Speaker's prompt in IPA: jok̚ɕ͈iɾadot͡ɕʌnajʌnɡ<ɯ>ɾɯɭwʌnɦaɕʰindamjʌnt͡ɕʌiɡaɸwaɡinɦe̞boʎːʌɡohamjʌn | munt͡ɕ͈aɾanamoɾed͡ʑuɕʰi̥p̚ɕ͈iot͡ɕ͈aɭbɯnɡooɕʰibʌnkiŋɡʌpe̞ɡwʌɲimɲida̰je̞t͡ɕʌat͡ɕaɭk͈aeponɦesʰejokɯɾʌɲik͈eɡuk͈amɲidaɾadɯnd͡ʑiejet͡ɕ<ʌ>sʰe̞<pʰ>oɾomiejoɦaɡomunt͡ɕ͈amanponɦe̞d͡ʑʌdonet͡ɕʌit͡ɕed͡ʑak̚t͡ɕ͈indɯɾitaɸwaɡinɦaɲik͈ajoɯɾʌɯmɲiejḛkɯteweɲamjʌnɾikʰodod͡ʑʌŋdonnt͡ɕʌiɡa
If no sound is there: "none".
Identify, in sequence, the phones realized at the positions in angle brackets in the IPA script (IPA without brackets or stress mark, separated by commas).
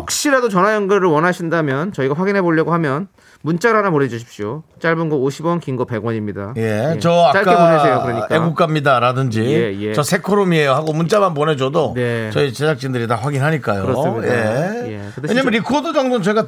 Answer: ɯ, ʌ, kʰ